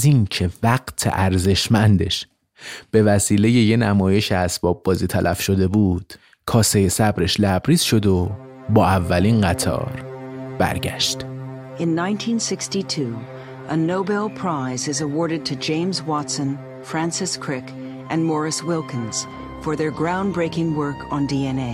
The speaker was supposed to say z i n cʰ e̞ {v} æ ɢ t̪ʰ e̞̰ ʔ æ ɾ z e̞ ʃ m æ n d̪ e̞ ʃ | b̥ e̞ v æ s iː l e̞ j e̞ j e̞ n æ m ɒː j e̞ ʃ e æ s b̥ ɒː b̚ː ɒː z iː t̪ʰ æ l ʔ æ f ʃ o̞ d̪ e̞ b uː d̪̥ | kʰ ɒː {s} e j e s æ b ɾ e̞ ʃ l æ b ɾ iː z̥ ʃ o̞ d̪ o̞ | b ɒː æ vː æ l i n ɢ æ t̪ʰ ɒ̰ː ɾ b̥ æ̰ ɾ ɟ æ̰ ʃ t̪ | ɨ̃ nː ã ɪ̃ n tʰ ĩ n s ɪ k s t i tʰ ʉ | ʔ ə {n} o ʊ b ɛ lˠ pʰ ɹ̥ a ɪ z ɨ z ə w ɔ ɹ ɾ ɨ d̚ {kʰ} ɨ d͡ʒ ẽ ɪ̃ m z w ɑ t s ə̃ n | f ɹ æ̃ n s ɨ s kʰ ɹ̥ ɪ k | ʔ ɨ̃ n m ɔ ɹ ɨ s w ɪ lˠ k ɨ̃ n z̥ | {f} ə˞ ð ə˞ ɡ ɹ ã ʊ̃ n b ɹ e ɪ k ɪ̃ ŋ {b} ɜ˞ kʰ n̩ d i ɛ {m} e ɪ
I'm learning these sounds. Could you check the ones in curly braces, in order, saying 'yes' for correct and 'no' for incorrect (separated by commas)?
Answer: yes, yes, yes, no, yes, no, no